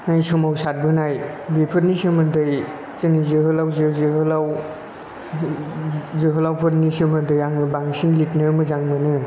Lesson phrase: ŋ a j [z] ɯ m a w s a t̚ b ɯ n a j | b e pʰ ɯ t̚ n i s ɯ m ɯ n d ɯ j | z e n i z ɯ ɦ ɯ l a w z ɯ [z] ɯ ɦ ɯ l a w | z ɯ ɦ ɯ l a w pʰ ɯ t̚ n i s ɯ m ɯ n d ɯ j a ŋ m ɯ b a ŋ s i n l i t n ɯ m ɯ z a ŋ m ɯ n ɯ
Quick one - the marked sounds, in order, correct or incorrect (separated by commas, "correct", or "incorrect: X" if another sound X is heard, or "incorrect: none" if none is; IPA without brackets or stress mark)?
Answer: incorrect: s, correct